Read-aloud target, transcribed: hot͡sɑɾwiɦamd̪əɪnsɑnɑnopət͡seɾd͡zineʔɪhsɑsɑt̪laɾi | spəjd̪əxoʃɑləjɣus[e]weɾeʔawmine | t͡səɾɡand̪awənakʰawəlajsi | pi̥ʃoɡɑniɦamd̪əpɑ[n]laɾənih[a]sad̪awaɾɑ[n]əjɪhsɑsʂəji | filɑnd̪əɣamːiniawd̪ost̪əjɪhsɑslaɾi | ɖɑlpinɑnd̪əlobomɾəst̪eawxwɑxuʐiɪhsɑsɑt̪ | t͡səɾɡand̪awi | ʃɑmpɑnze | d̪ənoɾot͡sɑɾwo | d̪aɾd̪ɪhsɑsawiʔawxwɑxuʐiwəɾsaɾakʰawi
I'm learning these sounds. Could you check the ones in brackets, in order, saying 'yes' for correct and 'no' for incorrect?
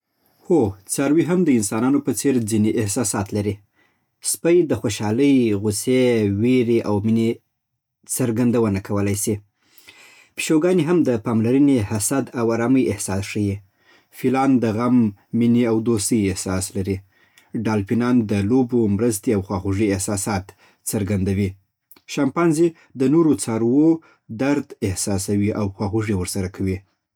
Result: yes, no, yes, no

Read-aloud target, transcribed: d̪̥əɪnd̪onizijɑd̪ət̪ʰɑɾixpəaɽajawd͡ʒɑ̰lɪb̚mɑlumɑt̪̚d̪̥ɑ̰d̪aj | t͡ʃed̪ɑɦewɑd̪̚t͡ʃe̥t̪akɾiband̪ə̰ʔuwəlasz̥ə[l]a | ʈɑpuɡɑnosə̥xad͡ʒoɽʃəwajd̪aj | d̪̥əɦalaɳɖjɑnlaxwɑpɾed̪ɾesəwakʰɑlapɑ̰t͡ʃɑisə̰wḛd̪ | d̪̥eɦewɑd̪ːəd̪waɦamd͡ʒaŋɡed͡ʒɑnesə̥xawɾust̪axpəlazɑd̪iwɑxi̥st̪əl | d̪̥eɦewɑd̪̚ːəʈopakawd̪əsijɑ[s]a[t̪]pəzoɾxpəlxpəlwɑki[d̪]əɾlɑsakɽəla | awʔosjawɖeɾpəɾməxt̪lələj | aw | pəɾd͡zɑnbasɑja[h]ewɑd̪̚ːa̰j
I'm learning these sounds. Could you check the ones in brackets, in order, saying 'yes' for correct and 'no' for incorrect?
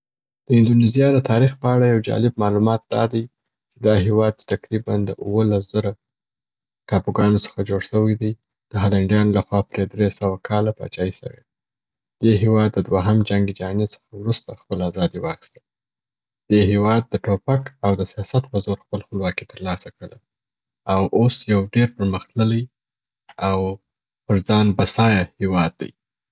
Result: no, yes, yes, no, yes

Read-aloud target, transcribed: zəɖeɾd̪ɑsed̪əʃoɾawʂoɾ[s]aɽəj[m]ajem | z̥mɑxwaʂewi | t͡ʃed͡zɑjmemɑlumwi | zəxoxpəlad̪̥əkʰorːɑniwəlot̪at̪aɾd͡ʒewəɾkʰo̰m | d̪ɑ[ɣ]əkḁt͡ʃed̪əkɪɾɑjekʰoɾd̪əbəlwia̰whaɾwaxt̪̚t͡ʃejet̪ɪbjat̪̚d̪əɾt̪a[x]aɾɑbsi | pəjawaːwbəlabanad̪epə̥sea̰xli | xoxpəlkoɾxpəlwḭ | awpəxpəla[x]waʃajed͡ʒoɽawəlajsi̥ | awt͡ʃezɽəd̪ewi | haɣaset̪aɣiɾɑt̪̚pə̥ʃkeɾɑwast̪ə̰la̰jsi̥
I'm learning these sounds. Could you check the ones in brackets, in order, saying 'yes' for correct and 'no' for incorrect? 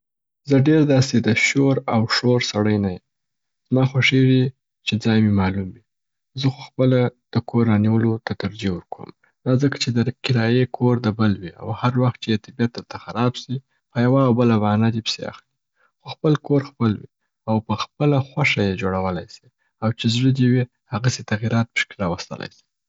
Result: yes, no, no, yes, yes

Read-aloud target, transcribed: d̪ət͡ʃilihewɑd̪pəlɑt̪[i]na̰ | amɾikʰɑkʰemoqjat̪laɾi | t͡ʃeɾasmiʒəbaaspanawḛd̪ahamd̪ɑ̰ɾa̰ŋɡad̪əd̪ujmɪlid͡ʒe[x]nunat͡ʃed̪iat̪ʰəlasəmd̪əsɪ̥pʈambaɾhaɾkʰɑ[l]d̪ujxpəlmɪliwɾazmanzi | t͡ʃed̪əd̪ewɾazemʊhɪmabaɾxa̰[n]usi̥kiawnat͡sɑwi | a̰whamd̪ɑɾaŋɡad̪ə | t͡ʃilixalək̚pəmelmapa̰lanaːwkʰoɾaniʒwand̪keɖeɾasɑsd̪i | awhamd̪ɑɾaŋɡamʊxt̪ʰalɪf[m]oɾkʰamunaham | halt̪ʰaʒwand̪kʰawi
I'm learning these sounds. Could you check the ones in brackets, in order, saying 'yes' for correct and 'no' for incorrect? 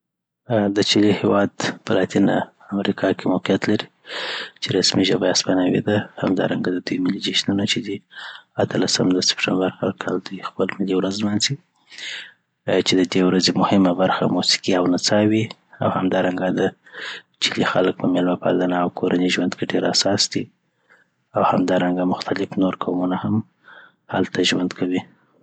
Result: yes, no, yes, no, no

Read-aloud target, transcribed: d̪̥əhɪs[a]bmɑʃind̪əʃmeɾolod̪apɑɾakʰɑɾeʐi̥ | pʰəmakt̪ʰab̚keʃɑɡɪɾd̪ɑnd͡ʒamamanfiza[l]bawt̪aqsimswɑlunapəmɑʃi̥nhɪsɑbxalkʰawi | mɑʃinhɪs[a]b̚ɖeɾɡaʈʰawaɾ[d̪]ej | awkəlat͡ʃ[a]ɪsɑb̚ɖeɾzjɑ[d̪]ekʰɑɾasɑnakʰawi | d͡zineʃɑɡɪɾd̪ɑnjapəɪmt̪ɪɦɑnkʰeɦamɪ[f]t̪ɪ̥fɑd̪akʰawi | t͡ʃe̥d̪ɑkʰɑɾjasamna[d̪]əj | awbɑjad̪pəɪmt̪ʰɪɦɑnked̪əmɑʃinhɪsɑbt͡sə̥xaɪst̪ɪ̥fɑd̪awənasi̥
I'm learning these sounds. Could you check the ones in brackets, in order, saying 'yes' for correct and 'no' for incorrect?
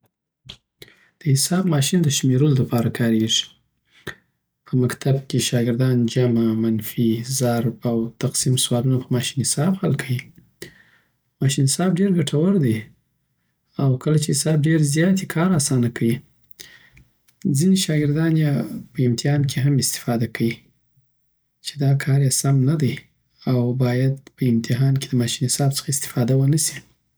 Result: no, no, no, yes, no, no, no, yes

